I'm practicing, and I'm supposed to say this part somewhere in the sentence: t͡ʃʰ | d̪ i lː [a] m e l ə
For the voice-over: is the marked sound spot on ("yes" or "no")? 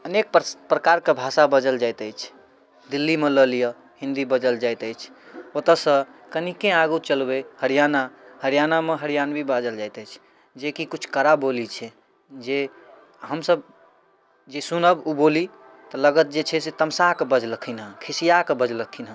no